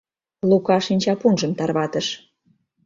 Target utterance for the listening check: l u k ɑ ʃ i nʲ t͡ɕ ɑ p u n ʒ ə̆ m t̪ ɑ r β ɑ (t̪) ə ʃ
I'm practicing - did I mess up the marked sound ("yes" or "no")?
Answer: no